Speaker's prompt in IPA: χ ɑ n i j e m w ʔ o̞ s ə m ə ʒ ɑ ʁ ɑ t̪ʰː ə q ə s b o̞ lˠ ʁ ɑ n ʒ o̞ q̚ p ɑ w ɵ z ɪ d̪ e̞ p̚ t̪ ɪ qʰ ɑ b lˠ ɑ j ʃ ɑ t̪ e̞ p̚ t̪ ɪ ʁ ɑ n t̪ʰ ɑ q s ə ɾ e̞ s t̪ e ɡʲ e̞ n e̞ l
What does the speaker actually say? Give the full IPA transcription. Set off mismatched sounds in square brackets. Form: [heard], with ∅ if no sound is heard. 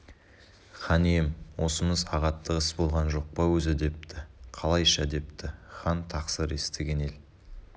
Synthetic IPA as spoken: χ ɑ n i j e m w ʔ o̞ s ə m ə [z] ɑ ʁ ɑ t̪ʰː ə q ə s b o̞ lˠ ʁ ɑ n ʒ o̞ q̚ p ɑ w ɵ z ɪ d̪ e̞ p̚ t̪ ɪ qʰ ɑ [∅] lˠ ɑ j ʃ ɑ [d̪] e̞ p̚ t̪ ɪ [χ] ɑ n t̪ʰ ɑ q s ə ɾ e̞ s t̪ e ɡʲ e̞ n e̞ l

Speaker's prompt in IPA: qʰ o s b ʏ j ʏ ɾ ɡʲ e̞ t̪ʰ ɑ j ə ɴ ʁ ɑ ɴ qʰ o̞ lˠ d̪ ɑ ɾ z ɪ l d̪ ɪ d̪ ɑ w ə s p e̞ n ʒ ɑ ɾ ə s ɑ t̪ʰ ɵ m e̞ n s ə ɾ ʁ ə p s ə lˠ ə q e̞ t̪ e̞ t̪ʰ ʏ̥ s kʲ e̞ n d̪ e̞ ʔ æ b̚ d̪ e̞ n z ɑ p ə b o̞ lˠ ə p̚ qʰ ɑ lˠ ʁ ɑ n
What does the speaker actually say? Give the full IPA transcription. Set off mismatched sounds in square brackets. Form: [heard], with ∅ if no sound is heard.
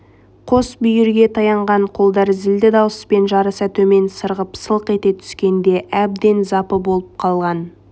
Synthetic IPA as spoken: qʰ o s b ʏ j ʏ ɾ ɡʲ e̞ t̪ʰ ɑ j [ɑ] ɴ ʁ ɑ ɴ qʰ o̞ lˠ d̪ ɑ ɾ z ɪ l d̪ ɪ d̪ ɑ w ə s p e̞ n ʒ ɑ ɾ ə s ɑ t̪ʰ ɵ m e̞ n s ə ɾ ʁ ə p s ə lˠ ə q e̞ t̪ e̞ t̪ʰ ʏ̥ s kʲ e̞ n d̪ e̞ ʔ æ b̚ d̪ e̞ n z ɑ p ə b o̞ lˠ ə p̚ qʰ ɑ lˠ ʁ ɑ n

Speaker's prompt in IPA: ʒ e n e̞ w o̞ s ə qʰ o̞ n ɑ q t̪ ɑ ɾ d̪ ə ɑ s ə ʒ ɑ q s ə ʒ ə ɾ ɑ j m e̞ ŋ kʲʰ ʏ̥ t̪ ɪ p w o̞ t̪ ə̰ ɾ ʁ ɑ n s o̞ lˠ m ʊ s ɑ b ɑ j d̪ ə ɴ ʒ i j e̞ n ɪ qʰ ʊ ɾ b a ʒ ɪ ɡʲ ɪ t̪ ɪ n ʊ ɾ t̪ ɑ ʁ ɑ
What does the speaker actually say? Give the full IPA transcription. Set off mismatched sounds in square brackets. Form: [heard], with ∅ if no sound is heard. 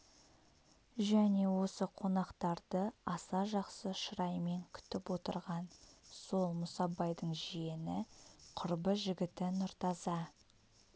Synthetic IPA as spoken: ʒ [æ] n e̞ w o̞ s ə qʰ o̞ n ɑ q t̪ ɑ ɾ d̪ ə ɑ s [ɑ] ʒ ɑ q s ə [ʃ] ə ɾ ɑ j m e̞ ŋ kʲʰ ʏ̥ t̪ ɪ p w o̞ t̪ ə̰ ɾ ʁ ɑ n s o̞ lˠ m ʊ s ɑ b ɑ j d̪ ə ɴ ʒ i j e̞ n ɪ qʰ ʊ ɾ b [ə] ʒ ɪ ɡʲ ɪ t̪ ɪ n ʊ ɾ t̪ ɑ [z] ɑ

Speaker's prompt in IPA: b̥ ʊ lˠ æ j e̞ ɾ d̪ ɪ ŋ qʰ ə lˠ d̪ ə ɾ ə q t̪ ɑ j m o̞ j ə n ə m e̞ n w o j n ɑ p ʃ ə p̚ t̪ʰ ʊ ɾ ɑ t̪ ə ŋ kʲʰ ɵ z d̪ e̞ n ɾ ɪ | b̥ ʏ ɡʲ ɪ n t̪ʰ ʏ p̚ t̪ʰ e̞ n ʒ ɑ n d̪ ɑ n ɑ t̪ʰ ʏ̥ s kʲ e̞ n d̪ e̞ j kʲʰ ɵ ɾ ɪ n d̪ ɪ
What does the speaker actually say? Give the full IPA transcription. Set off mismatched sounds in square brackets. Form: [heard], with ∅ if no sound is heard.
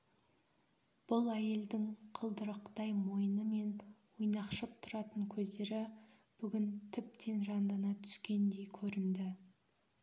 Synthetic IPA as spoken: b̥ ʊ lˠ æ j e̞ [l] d̪ ɪ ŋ qʰ ə lˠ d̪ ə ɾ ə q t̪ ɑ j m o̞ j ə n ə m e̞ n w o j n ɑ [q] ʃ ə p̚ t̪ʰ ʊ ɾ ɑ t̪ ə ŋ kʲʰ ɵ z d̪ e̞ [∅] ɾ ɪ | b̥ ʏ ɡʲ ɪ n t̪ʰ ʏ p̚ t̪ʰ e̞ n ʒ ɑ n d̪ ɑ n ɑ t̪ʰ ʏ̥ s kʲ e̞ n d̪ e̞ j kʲʰ ɵ ɾ ɪ n d̪ ɪ

